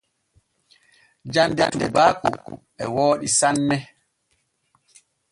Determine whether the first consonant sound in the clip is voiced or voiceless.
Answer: voiced